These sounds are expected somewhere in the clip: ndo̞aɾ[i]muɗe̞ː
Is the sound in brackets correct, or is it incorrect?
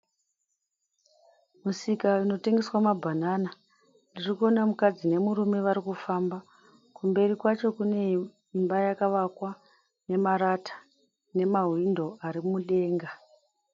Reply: correct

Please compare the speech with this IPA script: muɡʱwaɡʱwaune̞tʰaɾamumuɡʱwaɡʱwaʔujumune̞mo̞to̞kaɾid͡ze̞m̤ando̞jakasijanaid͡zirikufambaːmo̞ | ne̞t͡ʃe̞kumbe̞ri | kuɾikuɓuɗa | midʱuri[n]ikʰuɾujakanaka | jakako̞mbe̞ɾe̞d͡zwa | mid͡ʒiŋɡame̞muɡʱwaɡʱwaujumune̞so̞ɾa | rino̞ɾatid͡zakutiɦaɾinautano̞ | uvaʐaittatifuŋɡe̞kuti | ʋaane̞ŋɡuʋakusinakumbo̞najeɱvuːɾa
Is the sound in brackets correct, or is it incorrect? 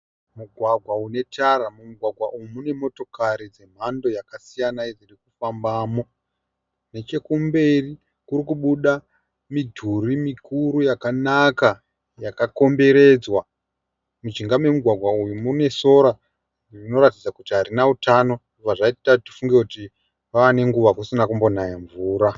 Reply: incorrect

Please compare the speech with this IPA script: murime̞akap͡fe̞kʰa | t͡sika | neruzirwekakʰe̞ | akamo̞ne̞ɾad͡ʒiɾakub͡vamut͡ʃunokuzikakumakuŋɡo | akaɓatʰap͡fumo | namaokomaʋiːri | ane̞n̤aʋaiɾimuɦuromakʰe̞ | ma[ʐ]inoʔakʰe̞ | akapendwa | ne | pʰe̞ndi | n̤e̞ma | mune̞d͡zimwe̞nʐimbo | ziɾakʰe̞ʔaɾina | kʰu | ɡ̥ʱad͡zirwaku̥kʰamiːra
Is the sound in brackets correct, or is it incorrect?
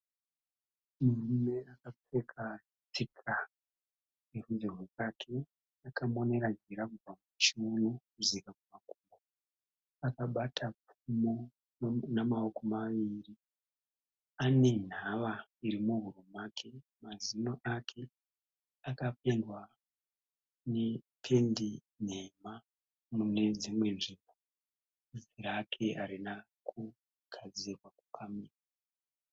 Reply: incorrect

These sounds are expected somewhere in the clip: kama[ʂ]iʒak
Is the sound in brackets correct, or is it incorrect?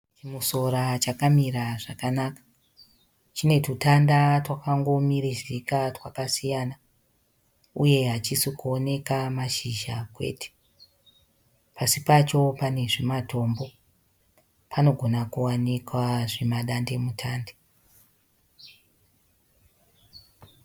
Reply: incorrect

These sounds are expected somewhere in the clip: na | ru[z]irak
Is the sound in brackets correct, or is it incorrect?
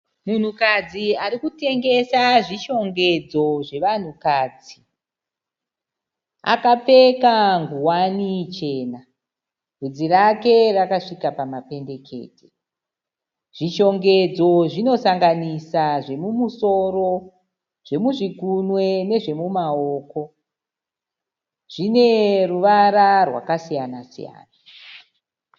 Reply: incorrect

